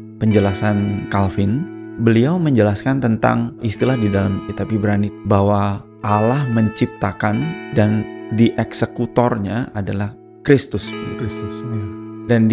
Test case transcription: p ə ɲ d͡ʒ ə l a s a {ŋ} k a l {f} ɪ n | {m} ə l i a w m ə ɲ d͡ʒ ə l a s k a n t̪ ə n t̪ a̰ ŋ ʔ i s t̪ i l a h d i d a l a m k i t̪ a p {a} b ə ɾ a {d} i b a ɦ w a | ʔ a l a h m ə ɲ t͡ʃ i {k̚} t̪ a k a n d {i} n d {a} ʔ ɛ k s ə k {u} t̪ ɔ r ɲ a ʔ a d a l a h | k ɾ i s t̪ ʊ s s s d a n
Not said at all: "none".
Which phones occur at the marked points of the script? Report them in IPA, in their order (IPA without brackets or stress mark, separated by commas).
n, f, b, i, n, p̚, a, i, u